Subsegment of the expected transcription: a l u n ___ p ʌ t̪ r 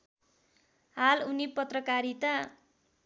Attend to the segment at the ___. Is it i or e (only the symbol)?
i